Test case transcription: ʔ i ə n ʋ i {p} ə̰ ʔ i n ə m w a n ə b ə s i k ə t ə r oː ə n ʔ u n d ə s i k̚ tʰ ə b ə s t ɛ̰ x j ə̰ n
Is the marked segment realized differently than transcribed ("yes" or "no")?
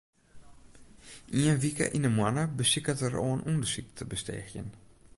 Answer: yes